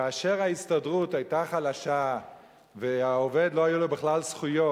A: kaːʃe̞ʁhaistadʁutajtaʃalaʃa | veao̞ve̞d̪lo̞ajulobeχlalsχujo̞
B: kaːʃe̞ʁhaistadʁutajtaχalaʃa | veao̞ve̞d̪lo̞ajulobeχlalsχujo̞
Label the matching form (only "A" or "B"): B